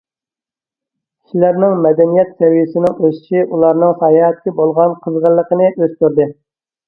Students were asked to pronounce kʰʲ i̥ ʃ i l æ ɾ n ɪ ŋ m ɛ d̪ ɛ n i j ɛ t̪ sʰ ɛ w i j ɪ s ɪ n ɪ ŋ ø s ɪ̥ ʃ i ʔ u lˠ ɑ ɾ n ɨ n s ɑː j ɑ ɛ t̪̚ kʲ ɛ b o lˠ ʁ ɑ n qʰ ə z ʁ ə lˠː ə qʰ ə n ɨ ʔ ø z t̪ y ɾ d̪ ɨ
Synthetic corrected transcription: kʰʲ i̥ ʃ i l æ ɾ n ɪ ŋ m ɛ d̪ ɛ n i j ɛ t̪ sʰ ɛ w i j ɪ s ɪ n ɪ ŋ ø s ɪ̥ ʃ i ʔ u lˠ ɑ ɾ n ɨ ŋ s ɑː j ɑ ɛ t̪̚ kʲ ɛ b o lˠ ʁ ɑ n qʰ ə z ʁ ə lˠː ə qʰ ə n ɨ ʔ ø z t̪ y ɾ d̪ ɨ

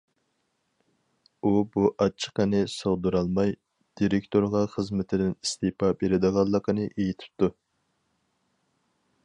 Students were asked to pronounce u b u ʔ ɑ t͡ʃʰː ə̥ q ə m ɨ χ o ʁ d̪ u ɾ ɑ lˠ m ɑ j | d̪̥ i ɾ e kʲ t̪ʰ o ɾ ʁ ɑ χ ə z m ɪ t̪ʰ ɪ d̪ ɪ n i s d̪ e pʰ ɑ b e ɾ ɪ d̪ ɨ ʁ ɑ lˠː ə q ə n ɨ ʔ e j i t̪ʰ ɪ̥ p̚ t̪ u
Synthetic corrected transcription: u b u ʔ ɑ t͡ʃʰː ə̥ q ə n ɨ s o ʁ d̪ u ɾ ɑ lˠ m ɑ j | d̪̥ i ɾ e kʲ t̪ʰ o ɾ ʁ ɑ χ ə z m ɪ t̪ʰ ɪ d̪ ɪ n i s t̪ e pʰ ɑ b e ɾ ɪ d̪ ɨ ʁ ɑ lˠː ə q ə n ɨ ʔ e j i t̪ʰ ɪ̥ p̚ t̪ u

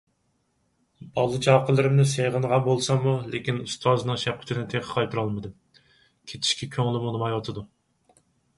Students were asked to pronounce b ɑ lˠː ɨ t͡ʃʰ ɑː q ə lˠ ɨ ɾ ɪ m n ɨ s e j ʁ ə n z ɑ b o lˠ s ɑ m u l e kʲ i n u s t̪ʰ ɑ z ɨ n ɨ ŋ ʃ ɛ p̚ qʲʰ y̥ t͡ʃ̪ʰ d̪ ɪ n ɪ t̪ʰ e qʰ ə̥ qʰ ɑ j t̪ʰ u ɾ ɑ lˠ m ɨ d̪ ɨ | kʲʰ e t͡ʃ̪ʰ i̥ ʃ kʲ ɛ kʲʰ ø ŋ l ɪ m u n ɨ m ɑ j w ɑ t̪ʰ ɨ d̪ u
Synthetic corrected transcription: b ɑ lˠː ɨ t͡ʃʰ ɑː q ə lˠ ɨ ɾ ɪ m n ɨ s e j ʁ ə n ʁ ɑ b o lˠ s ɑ m u l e kʲ i n u s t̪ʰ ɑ z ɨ n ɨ ŋ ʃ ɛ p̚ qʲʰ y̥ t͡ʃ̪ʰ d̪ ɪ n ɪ t̪ʰ e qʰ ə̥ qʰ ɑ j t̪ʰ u ɾ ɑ lˠ m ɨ d̪ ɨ | kʲʰ e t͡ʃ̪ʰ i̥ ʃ kʲ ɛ kʲʰ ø ŋ l ɪ m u n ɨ m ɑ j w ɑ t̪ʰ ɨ d̪ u

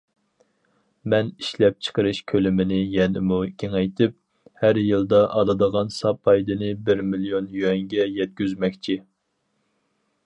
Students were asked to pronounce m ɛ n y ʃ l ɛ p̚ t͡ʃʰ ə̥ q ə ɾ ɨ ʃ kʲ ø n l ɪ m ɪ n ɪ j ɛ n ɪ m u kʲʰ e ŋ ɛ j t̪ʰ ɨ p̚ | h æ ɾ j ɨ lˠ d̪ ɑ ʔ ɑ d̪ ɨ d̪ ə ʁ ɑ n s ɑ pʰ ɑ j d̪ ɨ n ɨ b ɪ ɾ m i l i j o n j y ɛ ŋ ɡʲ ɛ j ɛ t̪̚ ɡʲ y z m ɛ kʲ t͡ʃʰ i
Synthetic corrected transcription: m ɛ n i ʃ l ɛ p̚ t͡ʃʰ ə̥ q ə ɾ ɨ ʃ kʲʰ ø l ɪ m ɪ n ɪ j ɛ n ɪ m u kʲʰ e ŋ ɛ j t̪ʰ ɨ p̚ | h æ ɾ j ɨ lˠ d̪ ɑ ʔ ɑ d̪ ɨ d̪ ə ʁ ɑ n s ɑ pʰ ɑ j d̪ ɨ n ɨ b ɪ ɾ m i l i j o n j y ɛ ŋ ɡʲ ɛ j ɛ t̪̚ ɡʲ y z m ɛ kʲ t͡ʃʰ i

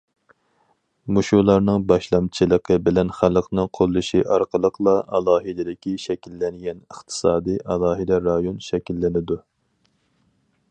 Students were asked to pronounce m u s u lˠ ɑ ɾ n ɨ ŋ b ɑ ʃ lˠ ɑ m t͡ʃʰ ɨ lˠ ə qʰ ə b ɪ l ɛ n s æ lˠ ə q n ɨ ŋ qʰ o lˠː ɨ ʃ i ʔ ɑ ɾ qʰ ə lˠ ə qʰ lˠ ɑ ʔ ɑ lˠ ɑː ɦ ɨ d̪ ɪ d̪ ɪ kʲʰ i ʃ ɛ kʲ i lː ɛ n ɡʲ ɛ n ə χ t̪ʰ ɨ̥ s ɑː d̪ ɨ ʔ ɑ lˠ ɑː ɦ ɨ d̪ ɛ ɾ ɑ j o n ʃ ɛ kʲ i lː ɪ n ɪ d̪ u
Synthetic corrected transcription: m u ʃ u lˠ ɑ ɾ n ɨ ŋ b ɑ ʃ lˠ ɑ m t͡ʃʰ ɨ lˠ ə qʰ ə b ɪ l ɛ n χ æ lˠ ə q n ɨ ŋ qʰ o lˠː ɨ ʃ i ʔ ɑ ɾ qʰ ə lˠ ə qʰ lˠ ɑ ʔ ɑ lˠ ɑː ɦ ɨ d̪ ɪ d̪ ɪ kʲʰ i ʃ ɛ kʲ i lː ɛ n ɡʲ ɛ n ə χ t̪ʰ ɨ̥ s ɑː d̪ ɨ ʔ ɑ lˠ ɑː ɦ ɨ d̪ ɛ ɾ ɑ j o n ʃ ɛ kʲ i lː ɪ n ɪ d̪ u

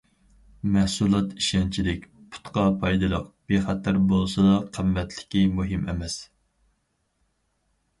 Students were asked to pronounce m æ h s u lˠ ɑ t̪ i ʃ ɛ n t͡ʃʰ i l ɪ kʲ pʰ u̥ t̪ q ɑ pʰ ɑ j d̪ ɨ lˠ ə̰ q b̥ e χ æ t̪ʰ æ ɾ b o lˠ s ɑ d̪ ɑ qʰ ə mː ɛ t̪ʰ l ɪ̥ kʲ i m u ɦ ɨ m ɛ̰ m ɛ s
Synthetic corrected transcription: m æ h s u lˠ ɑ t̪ i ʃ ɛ n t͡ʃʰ i l ɪ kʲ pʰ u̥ t̪ q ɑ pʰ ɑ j d̪ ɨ lˠ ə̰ q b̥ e χ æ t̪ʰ æ ɾ b o lˠ s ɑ d̪ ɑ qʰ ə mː ɛ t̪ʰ l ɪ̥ kʲ i m u ɦ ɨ m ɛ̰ m ɛ s

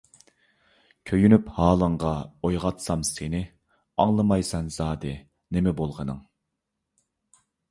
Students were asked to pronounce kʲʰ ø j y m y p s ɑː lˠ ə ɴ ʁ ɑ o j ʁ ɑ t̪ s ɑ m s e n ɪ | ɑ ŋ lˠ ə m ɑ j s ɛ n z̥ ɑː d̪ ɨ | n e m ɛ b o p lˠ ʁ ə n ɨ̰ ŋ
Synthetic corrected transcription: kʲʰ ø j y n y p h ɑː lˠ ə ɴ ʁ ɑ o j ʁ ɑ t̪ s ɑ m s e n ɪ | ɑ ŋ lˠ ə m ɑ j s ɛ n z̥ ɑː d̪ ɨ | n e m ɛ b o lˠ ʁ ə n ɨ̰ ŋ

